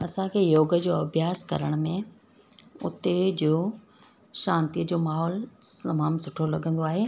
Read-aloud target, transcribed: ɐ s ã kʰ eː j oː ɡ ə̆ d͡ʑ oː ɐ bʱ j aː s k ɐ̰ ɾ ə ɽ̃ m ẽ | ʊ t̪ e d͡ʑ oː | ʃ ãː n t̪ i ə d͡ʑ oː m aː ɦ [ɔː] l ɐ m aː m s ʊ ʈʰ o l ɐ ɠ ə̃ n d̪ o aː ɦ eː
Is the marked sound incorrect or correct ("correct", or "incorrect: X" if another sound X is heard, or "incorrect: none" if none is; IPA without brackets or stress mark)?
correct